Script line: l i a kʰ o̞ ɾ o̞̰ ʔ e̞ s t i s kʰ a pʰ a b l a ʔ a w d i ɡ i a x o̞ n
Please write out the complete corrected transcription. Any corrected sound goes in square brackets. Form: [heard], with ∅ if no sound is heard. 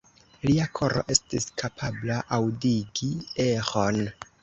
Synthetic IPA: l i a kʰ o̞ ɾ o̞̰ ʔ e̞ s t i s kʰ a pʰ a b l a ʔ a w d i ɡ i [e] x o̞ n

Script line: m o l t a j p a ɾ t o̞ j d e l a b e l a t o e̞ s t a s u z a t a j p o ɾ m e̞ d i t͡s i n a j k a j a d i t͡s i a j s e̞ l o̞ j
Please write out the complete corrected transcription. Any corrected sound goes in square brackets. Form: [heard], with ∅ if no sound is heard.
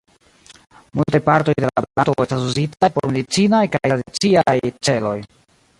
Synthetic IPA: m [u] l t a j p a ɾ t o̞ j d e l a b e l a t o e̞ s t a s u z [i] t a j p o ɾ m e̞ d i t͡s i n a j k a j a d i t͡s i a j [t͡s] e̞ l o̞ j

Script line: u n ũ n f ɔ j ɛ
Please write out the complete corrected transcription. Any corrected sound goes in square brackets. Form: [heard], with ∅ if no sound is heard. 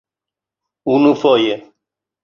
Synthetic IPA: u n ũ [∅] f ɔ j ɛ

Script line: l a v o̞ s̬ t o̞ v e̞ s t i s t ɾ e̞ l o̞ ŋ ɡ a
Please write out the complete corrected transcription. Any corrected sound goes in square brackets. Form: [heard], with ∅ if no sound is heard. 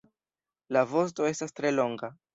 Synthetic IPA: l a v o̞ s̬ t o̞ [∅] e̞ s t [a] s t ɾ e̞ l o̞ ŋ ɡ a

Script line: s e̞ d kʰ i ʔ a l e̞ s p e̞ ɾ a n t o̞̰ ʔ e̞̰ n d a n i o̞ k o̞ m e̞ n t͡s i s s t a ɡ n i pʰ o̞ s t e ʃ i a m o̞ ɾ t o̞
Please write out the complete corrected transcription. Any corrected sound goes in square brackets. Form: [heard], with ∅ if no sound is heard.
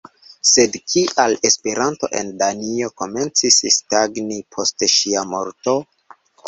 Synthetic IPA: s e̞ d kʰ i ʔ a l e̞ s p e̞ ɾ a n t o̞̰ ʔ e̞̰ n d a n i o̞ k o̞ m e̞ n t͡s i s s t a ɡ n i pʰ o̞ s t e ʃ i a m o̞ ɾ t o̞

